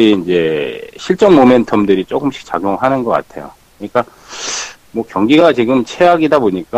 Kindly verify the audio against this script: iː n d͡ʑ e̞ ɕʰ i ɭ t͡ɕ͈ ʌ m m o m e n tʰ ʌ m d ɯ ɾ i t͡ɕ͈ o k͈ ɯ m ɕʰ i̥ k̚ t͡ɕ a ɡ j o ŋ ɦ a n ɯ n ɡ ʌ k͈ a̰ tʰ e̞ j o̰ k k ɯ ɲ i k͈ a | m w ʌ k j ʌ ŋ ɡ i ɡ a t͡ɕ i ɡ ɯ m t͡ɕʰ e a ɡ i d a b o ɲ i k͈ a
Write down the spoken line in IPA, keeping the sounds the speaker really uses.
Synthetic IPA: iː n d͡ʑ e̞ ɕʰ i ɭ t͡ɕ͈ ʌ ŋ m o m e n tʰ ʌ m d ɯ ɾ i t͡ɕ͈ o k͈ ɯ m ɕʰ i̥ k̚ t͡ɕ a ɡ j o ŋ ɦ a n ɯ n ɡ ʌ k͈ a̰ tʰ e̞ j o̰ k k ɯ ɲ i k͈ a | m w ʌ k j ʌ ŋ ɡ i ɡ a t͡ɕ i ɡ ɯ m t͡ɕʰ e a ɡ i d a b o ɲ i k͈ a